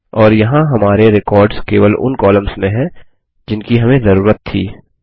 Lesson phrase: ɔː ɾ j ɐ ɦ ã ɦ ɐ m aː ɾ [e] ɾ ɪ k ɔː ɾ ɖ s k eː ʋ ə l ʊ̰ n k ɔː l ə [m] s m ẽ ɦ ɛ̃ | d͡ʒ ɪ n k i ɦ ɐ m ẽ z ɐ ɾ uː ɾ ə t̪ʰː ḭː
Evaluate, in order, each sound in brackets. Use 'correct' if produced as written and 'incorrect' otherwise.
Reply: correct, correct

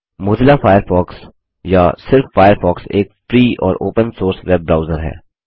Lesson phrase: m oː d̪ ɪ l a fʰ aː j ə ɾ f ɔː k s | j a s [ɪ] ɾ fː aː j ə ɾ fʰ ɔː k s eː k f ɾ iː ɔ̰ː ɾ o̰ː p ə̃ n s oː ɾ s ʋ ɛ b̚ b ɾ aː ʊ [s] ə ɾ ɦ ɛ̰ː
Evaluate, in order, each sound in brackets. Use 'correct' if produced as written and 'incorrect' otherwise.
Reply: correct, incorrect

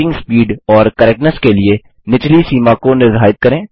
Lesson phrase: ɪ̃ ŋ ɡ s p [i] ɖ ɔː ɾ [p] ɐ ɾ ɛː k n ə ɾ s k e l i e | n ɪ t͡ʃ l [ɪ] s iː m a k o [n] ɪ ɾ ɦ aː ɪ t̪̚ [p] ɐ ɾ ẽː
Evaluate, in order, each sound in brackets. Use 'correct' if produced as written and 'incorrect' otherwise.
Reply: incorrect, incorrect, incorrect, correct, incorrect

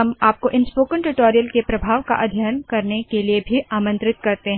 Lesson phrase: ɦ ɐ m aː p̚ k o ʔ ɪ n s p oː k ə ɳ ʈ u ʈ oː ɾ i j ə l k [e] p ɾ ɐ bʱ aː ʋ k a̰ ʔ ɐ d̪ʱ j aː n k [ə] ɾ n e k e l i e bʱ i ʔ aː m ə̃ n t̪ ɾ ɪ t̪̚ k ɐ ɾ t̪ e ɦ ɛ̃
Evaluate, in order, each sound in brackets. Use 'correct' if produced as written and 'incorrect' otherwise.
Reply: correct, incorrect

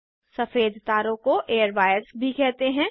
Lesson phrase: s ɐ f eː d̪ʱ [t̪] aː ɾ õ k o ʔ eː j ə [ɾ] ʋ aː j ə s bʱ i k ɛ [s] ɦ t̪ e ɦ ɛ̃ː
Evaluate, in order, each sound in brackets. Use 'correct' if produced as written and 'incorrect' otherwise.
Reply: correct, correct, incorrect

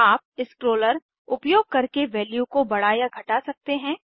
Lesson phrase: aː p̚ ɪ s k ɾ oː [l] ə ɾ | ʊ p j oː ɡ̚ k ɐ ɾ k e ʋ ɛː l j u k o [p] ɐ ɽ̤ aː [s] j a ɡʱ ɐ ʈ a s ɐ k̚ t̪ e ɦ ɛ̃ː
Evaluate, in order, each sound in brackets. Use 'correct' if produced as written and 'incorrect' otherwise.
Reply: correct, incorrect, incorrect

